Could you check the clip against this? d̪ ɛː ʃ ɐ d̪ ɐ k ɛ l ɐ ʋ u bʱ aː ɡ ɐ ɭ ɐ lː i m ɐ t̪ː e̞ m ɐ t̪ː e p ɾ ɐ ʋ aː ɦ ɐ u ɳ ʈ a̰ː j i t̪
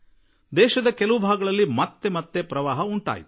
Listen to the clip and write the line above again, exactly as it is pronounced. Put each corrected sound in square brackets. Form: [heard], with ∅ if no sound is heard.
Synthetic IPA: d̪ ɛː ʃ ɐ d̪ ɐ k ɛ l ɐ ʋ u bʱ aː ɡ ɐ ɭ ɐ lː i m ɐ t̪ː e̞ m ɐ t̪ː e p ɾ ɐ ʋ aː ɦ ɐ u ɳ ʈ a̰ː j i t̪